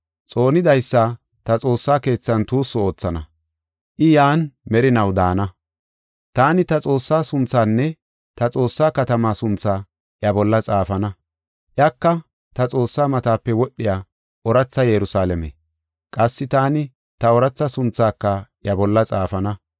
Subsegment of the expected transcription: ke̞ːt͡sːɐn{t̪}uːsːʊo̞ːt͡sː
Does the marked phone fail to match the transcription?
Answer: no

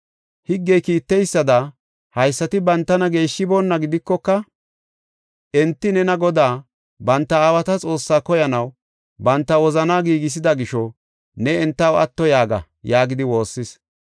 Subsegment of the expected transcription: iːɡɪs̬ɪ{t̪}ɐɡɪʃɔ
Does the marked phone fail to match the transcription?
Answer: yes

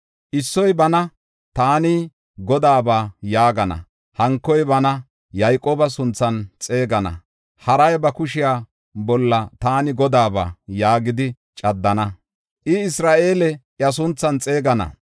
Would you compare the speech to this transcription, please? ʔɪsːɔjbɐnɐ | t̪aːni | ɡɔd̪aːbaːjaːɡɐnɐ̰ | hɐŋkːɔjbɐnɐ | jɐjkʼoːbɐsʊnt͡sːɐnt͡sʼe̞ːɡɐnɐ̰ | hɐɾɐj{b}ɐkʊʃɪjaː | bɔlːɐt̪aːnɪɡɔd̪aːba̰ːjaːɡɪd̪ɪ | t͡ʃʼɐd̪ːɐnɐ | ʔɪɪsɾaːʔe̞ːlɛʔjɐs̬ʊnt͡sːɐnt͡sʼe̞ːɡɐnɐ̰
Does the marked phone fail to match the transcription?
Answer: no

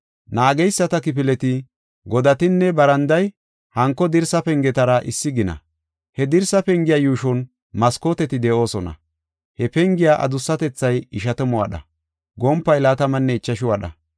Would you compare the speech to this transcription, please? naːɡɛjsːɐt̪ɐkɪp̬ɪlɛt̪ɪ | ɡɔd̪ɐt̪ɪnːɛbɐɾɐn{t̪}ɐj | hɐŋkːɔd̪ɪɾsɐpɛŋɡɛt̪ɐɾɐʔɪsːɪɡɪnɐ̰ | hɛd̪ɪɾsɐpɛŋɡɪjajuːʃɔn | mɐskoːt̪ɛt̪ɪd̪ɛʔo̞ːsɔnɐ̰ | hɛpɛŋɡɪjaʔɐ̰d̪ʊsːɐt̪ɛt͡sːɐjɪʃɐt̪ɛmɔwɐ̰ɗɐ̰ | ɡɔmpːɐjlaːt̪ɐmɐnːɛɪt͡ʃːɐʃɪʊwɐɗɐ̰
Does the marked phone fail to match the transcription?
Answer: yes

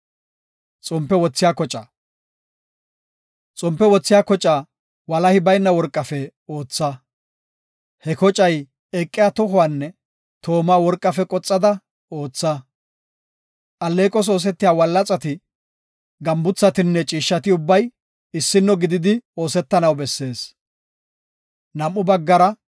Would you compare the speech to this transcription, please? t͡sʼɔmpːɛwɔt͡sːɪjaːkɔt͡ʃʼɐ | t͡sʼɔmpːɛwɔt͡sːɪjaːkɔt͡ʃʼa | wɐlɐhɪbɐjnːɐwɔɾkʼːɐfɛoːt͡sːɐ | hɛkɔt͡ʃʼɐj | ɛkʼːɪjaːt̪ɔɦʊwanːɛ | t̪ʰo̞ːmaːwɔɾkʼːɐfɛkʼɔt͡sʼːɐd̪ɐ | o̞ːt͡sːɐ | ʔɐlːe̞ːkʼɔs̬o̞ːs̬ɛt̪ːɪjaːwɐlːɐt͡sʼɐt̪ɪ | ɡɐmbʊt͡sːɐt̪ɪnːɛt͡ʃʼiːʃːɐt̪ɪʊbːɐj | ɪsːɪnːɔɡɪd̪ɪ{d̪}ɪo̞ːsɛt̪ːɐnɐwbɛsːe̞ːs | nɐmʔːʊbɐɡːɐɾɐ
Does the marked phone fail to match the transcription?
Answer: no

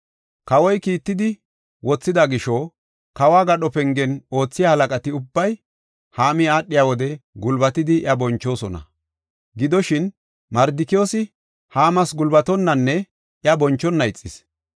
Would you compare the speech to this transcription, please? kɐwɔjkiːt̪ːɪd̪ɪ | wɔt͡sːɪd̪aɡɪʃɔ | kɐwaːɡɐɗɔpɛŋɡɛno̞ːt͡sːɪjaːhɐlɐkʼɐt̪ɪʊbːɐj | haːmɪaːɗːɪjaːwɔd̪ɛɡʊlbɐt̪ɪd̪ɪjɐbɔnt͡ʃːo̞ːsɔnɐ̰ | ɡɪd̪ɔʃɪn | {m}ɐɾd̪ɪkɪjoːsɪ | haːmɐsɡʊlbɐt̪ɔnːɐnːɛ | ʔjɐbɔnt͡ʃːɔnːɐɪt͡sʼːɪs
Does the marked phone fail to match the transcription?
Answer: no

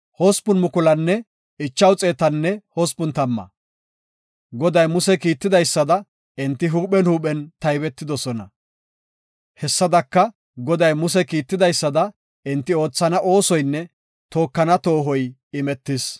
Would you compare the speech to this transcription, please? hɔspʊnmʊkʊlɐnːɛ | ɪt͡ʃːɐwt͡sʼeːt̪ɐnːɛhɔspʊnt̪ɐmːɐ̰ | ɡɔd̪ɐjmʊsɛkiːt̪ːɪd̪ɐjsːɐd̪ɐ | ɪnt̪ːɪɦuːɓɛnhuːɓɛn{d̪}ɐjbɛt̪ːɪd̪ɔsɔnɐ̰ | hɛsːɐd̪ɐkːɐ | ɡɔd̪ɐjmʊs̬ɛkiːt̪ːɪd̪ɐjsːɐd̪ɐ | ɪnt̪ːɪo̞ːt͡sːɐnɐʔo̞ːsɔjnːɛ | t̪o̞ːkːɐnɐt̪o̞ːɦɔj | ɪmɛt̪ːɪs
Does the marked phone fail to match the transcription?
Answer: yes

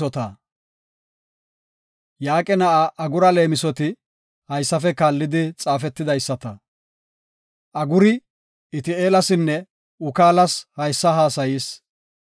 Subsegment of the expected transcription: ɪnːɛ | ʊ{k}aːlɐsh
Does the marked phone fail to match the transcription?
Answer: no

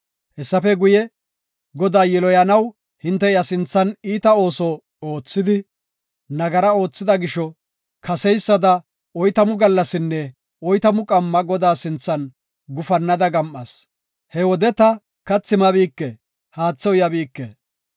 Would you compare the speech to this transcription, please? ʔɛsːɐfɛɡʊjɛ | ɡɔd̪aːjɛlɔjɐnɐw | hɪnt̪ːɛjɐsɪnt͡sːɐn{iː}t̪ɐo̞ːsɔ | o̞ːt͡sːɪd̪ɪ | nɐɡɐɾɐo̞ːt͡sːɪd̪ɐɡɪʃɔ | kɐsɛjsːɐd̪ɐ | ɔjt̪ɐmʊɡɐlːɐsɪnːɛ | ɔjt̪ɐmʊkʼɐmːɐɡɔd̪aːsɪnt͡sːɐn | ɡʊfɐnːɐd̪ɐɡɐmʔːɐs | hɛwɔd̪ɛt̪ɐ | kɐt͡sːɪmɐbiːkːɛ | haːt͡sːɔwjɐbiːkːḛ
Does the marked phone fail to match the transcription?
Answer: no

